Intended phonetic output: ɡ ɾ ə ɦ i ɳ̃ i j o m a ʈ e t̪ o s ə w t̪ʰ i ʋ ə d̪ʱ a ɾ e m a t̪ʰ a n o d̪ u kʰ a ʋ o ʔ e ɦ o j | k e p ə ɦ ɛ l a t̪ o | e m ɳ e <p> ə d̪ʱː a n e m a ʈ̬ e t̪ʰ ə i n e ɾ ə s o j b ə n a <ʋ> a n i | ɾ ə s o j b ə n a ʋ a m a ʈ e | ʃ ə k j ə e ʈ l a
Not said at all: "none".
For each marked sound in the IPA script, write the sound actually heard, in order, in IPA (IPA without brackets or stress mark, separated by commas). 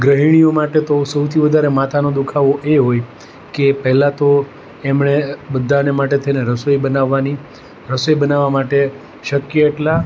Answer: b, ʋː